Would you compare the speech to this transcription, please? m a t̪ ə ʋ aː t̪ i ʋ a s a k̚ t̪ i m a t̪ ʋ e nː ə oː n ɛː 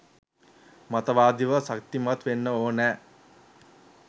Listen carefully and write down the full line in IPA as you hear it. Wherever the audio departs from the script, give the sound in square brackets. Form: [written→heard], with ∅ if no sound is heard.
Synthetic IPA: m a t̪ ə ʋ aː [t̪→d̪] i ʋ [a→ə] s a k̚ t̪ i m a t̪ ʋ e nː ə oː n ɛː